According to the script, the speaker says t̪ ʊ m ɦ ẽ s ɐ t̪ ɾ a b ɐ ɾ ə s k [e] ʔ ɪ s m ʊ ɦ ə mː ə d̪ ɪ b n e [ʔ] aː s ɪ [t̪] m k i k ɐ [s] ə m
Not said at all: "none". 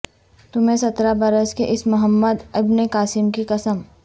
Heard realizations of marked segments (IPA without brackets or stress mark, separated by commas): e, k, none, s